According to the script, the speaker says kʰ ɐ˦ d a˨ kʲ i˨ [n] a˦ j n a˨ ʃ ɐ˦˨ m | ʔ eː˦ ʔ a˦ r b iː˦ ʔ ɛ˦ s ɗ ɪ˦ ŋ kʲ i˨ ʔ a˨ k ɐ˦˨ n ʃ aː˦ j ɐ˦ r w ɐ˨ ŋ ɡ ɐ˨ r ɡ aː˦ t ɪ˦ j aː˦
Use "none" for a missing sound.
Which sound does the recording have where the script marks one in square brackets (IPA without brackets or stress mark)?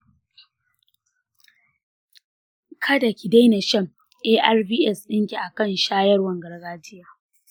d